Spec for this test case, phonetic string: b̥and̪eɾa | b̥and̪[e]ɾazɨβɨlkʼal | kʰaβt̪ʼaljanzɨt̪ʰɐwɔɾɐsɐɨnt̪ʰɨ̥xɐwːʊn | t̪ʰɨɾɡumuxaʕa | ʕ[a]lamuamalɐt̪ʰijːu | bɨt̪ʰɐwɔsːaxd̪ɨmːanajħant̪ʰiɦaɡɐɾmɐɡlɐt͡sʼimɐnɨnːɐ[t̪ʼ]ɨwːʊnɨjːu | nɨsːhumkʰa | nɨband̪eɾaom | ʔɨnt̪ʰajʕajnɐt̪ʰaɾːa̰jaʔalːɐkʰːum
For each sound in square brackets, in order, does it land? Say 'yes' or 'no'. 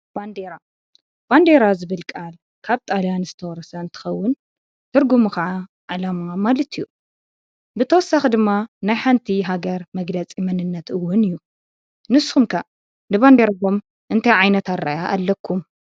yes, yes, no

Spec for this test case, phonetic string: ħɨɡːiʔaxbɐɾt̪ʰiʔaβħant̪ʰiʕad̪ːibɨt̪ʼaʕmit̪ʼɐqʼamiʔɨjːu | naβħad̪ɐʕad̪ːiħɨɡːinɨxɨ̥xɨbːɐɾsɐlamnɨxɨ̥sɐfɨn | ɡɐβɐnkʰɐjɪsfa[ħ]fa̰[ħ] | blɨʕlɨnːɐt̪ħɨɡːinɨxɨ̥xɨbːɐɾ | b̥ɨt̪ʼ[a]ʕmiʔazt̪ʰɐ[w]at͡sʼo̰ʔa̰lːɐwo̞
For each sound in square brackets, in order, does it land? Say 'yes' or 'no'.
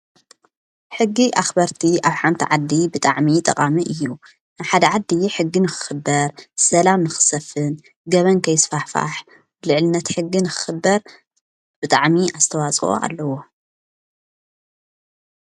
yes, yes, yes, yes

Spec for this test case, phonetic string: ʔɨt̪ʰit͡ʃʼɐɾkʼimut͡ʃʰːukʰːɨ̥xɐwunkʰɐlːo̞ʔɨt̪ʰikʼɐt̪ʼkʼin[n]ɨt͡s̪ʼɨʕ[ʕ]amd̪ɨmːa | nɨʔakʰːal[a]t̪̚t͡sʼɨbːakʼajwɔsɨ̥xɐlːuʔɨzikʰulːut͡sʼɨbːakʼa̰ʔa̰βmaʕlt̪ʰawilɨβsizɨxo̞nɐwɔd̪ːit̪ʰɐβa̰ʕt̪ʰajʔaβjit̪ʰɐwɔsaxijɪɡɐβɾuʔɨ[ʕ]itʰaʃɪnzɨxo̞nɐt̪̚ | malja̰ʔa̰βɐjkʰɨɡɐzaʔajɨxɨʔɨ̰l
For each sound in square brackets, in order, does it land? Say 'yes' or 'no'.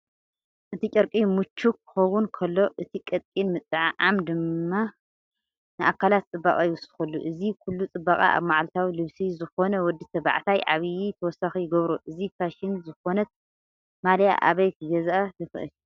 no, yes, yes, no

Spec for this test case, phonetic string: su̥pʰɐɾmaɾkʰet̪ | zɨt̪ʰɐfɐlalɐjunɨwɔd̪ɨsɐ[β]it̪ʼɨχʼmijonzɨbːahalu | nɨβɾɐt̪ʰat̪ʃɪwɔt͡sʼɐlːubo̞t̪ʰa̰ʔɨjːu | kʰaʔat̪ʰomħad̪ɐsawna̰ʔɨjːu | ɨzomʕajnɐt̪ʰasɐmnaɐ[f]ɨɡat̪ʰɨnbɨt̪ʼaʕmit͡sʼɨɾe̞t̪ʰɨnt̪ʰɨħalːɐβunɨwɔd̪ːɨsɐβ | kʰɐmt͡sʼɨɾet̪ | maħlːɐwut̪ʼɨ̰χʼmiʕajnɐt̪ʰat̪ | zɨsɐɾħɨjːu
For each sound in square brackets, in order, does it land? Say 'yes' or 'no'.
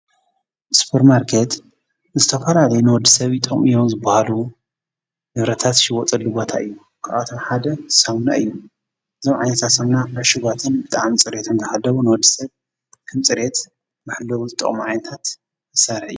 yes, no

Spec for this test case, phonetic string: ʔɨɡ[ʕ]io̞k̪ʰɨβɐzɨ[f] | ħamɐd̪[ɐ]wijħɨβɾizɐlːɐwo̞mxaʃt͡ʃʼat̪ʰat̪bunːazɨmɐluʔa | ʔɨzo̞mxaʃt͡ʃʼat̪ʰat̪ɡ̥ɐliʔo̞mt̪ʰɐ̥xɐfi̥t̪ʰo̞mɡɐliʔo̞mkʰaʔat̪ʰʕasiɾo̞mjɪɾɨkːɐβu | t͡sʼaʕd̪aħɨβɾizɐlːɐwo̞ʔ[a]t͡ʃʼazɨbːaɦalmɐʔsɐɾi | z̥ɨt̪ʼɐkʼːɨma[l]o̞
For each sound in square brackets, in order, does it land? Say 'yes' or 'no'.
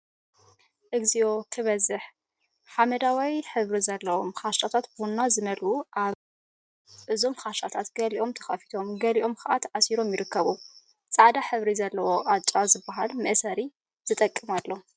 no, no, no, yes, no

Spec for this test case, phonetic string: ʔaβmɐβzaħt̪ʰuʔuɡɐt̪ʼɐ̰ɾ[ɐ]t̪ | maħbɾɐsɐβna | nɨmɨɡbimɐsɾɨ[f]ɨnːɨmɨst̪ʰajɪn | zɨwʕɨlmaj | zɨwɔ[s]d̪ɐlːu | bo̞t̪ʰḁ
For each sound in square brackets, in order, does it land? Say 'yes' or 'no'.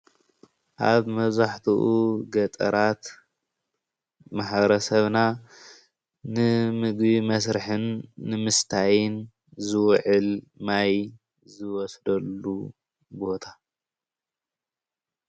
no, no, yes

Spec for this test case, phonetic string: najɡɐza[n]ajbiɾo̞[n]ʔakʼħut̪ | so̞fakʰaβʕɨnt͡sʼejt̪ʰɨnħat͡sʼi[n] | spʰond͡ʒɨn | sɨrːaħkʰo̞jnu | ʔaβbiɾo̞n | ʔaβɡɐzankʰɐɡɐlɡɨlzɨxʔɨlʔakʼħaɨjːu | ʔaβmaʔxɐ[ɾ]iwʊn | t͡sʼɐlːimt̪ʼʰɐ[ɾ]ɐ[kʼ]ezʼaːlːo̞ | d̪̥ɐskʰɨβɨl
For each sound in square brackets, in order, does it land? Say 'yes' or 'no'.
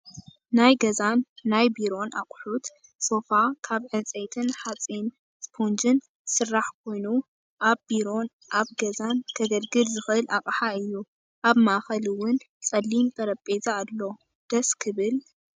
no, yes, yes, no, yes, no

